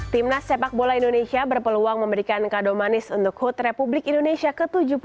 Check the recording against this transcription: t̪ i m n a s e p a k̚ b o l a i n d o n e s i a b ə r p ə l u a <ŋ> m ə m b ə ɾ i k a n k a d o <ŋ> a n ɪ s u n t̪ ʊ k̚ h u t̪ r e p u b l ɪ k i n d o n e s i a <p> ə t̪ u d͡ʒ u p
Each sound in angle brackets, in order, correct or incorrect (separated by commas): correct, incorrect, incorrect